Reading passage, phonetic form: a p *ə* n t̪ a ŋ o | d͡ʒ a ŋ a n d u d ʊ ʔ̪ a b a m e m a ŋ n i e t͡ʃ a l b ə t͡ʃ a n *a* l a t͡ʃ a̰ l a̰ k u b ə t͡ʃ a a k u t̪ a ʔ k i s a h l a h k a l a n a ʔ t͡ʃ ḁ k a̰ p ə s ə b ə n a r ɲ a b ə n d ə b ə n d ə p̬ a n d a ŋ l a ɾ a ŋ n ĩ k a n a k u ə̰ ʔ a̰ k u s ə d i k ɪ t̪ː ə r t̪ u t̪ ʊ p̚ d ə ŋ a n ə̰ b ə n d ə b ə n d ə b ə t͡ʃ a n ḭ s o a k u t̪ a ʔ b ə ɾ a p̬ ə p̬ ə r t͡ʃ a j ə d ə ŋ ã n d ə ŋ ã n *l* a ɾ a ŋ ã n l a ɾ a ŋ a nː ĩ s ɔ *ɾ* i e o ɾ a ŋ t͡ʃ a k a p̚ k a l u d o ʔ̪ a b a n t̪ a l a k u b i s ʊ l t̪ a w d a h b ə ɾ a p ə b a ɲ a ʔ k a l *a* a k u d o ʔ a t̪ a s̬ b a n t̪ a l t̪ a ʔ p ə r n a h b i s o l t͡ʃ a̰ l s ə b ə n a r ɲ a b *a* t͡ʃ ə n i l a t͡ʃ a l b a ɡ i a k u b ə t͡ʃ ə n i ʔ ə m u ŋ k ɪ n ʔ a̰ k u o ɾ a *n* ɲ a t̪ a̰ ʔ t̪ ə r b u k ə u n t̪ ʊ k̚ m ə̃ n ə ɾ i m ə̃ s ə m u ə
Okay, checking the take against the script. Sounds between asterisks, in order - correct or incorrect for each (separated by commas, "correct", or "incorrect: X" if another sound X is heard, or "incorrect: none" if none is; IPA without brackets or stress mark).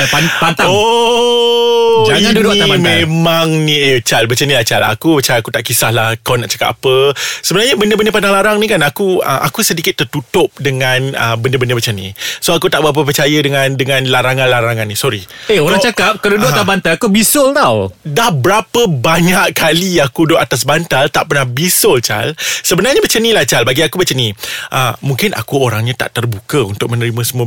incorrect: a, incorrect: i, correct, correct, incorrect: i, incorrect: ə, incorrect: ŋ